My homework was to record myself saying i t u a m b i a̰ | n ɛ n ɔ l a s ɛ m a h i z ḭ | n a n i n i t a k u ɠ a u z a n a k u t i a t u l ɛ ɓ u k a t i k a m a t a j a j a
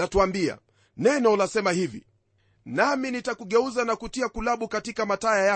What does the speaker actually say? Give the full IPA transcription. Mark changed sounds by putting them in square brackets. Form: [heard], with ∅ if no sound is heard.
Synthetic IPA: [a] t u a m b i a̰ | n ɛ n ɔ l a s ɛ m a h i [v] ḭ | n a [m] i n i t a k u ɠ [ɛ] u z a n a k u t i a [k] u l [a] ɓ u k a t i k a m a t a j a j a